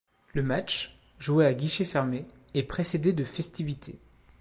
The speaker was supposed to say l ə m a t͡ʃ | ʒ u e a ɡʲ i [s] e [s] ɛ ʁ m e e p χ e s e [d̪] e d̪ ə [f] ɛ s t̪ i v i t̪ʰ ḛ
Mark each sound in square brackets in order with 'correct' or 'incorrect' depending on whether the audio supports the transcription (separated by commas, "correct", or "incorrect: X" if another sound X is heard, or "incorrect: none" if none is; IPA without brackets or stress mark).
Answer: incorrect: ʃ, incorrect: f, correct, correct